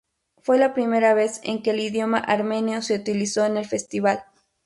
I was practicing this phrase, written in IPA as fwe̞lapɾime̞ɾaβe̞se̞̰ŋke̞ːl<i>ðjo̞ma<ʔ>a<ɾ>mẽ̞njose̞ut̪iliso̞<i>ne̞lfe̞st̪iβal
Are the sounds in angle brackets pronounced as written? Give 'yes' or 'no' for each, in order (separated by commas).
yes, yes, yes, no